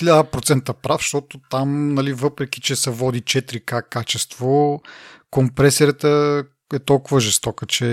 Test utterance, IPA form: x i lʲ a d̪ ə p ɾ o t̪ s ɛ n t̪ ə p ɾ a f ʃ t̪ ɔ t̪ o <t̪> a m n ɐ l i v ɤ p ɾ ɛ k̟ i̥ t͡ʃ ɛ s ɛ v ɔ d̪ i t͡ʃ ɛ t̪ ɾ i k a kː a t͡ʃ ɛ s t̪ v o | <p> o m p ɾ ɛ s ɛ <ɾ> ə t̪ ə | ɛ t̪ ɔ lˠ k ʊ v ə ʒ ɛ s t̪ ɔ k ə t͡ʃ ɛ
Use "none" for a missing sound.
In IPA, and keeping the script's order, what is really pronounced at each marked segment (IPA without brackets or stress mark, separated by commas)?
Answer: t̪, k, ɾ